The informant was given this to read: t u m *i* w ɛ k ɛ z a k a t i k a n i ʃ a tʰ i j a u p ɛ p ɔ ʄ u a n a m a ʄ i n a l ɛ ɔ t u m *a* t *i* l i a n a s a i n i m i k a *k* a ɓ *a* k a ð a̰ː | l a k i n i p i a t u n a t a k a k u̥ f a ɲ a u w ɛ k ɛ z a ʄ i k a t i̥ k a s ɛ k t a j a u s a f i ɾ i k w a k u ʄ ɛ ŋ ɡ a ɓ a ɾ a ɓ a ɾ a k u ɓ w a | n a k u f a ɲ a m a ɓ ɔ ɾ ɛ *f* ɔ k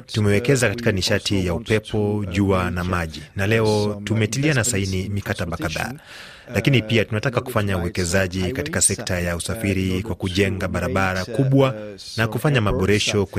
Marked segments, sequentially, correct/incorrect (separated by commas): incorrect, incorrect, correct, incorrect, correct, incorrect